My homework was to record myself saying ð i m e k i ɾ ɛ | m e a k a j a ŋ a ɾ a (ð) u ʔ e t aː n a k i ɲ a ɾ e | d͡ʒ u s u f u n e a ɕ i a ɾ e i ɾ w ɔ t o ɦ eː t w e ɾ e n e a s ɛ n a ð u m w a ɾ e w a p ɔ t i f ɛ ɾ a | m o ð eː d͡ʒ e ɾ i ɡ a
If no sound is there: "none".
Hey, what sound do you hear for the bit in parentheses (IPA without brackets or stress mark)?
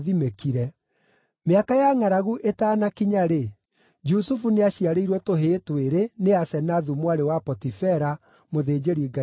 ɣ